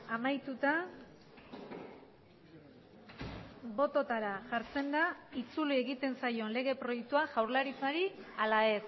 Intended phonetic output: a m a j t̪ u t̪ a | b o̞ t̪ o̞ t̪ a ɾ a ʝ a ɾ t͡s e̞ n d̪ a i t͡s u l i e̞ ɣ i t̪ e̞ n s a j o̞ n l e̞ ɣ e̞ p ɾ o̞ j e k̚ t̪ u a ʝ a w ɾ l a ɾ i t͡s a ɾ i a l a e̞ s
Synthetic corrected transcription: a m a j t̪ u t̪ a | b o̞ t̪ o̞ t̪ a ɾ a ʝ a ɾ t͡s e̞ n d̪ a i t͡s u l i e̞ ɣ i t̪ e̞ n s a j o̞ n l e̞ ɣ e̞ p ɾ o̞ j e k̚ t̪ u a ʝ a w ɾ l a ɾ i t͡s a ɾ i a l a e̞ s